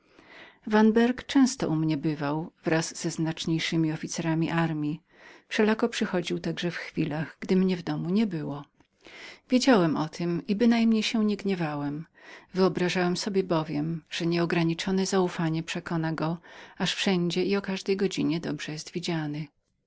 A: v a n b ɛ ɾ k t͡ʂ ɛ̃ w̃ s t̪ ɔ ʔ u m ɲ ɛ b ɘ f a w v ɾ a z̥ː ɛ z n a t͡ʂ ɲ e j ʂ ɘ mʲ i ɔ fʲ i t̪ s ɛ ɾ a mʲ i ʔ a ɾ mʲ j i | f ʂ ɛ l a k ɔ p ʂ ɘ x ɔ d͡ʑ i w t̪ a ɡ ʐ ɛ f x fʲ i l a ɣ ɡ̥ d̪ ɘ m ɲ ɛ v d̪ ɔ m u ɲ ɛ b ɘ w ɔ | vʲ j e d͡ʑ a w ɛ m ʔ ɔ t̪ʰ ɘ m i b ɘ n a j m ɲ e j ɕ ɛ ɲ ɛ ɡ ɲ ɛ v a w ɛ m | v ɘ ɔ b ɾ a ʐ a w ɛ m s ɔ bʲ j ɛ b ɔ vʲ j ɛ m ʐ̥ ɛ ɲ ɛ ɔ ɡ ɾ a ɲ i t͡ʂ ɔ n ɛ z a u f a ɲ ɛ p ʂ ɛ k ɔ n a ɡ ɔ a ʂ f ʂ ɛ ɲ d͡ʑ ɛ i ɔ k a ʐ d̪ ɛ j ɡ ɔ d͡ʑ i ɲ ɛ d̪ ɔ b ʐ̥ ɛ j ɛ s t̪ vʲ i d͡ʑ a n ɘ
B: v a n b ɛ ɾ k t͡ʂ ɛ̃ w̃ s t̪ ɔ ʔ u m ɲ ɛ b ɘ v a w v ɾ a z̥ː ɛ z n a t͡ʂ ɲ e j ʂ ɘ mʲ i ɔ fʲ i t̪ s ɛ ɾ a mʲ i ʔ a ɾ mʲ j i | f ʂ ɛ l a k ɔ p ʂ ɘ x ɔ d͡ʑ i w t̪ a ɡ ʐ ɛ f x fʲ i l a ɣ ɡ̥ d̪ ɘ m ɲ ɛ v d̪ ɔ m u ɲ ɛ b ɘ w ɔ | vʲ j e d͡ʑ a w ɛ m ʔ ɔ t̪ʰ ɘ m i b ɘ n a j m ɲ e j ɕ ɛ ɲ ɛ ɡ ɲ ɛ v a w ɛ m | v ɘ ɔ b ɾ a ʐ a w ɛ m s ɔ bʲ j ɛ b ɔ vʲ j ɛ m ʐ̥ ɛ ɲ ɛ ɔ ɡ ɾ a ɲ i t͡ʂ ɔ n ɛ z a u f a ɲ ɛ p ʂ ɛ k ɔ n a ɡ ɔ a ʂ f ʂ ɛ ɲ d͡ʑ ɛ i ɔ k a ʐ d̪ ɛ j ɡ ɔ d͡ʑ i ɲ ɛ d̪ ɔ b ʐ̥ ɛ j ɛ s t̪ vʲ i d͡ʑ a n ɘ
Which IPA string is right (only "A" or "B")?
B